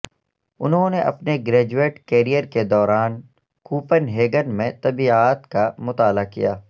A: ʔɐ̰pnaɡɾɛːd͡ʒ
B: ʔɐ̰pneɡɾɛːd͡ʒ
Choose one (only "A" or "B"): B